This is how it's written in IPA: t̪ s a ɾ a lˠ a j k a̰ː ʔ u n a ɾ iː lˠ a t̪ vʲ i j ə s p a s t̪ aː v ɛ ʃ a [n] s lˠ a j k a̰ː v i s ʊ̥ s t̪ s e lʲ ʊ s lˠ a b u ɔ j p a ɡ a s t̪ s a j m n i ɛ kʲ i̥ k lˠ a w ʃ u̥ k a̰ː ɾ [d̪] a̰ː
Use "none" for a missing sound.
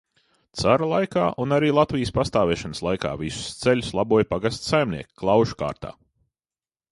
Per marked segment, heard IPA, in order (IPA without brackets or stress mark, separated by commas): n, t̪